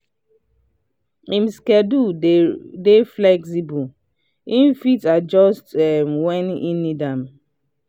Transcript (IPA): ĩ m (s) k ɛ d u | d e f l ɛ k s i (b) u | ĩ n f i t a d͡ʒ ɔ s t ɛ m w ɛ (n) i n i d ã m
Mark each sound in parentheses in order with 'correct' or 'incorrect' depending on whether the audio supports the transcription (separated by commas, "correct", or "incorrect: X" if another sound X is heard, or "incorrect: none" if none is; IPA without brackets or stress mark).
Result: correct, correct, correct